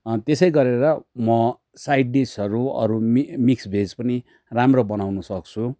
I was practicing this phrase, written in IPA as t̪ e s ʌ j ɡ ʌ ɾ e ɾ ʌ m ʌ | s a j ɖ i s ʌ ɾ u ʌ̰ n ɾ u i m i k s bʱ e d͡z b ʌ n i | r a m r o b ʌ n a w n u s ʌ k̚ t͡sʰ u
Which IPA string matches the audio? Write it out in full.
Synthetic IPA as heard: t̪ e s ʌ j ɡ ʌ ɾ e ɾ ʌ m ʌ | s a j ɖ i s ʌ ɾ u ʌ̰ ɾ u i m i k s bʱ e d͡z p ʌ n i | r a m r o b ʌ n a w n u s ʌ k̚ t͡sʰ u